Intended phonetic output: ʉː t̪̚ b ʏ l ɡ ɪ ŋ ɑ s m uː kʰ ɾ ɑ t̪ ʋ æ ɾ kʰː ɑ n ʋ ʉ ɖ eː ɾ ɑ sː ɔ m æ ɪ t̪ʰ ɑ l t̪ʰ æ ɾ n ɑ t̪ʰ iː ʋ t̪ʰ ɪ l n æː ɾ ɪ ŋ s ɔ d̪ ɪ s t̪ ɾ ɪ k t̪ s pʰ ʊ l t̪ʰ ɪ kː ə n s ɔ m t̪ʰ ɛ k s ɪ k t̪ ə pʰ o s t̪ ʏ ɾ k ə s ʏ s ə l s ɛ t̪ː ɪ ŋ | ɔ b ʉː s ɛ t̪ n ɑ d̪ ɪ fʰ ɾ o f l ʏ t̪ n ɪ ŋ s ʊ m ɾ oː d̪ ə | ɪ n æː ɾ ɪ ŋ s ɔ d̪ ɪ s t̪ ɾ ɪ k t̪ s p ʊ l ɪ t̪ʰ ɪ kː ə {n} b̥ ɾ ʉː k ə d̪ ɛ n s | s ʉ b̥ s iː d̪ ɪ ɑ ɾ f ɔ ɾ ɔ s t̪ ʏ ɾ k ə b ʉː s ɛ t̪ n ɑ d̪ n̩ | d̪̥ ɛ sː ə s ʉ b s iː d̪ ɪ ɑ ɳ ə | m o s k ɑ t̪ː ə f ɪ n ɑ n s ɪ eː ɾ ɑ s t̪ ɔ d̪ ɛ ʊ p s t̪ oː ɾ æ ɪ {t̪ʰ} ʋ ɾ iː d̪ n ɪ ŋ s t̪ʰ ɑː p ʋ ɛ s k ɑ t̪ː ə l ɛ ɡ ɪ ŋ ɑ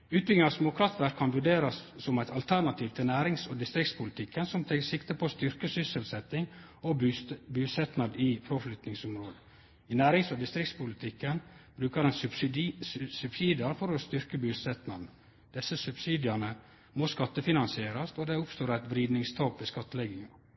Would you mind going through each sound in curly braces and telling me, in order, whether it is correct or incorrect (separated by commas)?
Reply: correct, incorrect